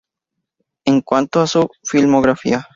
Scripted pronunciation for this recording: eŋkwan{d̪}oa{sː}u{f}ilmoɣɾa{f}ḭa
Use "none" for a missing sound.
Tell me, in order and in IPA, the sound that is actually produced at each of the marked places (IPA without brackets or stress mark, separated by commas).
t̪, s, f, f